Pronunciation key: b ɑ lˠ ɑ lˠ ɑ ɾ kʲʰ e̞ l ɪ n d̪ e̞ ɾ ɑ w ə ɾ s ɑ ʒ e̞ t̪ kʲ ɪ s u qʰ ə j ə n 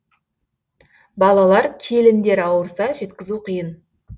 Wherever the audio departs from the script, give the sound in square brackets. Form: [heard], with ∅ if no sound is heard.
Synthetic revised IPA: b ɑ lˠ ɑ lˠ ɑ ɾ kʲʰ e̞ l ɪ n d̪ e̞ ɾ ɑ w ə ɾ s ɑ ʒ e̞ t̪ kʲ ɪ [z] u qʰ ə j ə n